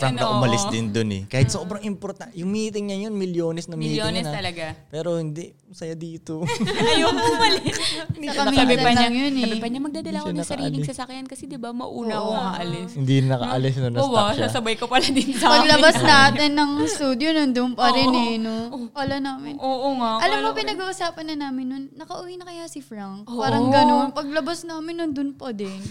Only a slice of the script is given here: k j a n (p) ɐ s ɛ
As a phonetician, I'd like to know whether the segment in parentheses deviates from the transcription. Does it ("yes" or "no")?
yes